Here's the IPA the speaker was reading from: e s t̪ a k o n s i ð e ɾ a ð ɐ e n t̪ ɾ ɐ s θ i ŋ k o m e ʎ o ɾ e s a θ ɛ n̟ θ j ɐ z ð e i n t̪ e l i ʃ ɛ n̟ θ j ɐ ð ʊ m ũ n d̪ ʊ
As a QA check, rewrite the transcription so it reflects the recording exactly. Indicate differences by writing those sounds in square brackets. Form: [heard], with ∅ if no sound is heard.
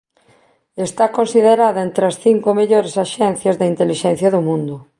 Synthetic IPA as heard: e s t̪ a k o n s i ð e ɾ a ð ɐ e n t̪ ɾ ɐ s θ i ŋ k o m e ʎ o ɾ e s a [ʃ] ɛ n̟ θ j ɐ z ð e i n t̪ e l i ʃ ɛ n̟ θ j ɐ ð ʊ m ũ n d̪ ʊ